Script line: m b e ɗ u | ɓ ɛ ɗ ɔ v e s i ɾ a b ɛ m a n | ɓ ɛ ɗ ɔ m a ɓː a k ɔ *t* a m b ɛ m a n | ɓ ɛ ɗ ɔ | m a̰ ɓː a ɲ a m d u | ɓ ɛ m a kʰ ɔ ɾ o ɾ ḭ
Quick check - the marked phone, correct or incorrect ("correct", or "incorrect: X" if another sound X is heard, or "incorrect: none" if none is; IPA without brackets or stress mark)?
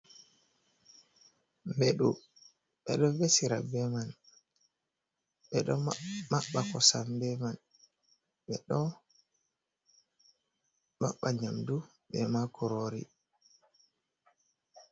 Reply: incorrect: s